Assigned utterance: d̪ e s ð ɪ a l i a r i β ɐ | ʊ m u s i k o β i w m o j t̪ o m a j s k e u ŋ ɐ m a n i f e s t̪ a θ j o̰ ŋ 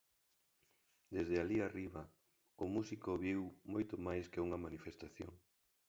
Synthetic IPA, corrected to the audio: d̪ e z ð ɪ a l i a r i β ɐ | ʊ m u s i k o β i w m o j t̪ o m a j s k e u ŋ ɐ m a n i f e s t̪ a θ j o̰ ŋ